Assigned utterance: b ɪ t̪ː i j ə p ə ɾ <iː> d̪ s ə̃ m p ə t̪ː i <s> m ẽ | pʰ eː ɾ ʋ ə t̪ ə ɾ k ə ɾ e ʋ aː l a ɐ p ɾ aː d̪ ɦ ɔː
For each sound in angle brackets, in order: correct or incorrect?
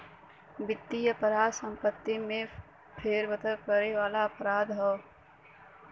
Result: incorrect, incorrect

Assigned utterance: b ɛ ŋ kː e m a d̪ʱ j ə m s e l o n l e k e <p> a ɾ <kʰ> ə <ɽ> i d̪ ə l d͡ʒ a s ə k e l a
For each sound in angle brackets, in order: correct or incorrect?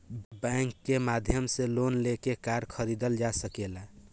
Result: incorrect, correct, incorrect

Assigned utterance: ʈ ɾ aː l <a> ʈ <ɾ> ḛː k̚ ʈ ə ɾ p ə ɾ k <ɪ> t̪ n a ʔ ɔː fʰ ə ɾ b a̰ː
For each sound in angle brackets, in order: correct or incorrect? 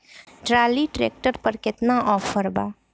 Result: incorrect, correct, correct

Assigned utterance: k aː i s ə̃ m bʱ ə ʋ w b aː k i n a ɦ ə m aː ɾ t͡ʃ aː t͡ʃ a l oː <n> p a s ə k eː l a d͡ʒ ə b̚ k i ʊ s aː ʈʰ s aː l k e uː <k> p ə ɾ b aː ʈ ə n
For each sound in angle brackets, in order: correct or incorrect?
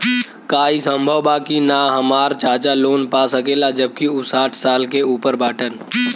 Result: correct, incorrect

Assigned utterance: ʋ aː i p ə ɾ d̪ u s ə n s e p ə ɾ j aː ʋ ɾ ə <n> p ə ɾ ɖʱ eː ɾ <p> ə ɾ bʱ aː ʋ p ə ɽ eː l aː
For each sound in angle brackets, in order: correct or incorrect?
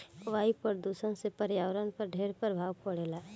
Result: correct, correct

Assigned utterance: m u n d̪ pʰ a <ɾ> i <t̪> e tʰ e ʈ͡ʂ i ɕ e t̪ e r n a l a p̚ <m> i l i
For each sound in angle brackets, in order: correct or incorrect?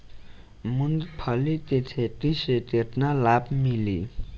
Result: incorrect, correct, correct

